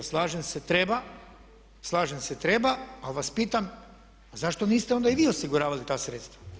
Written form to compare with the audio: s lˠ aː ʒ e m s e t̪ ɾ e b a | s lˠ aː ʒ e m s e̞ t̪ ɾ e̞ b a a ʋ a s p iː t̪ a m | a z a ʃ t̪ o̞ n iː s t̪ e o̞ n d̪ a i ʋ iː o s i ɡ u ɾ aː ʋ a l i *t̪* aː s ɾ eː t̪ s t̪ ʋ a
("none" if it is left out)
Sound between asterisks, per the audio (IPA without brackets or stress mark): t̪